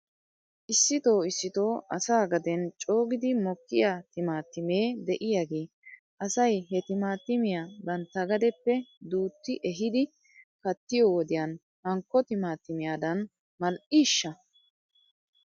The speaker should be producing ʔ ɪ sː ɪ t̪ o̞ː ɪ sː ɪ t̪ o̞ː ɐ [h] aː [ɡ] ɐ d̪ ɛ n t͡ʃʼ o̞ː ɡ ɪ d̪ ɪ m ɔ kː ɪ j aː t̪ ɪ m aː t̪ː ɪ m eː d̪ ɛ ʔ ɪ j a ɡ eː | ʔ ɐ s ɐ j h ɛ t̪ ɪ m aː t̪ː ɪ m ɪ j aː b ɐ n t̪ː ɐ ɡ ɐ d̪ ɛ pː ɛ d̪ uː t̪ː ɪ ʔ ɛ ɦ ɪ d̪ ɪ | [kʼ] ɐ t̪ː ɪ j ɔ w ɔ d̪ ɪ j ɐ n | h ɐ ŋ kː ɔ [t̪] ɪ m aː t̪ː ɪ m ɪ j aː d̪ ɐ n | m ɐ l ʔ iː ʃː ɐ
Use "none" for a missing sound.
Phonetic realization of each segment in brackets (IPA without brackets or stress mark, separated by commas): s, ɡ, k, t̪